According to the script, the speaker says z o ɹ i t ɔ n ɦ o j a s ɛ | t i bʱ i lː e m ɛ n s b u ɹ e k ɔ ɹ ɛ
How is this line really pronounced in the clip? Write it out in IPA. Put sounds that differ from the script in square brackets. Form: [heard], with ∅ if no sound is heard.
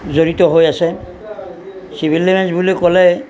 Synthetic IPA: z o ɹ i t ɔ [∅] ɦ o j a s ɛ | [s] i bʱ i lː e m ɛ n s b u [l] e k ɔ [l] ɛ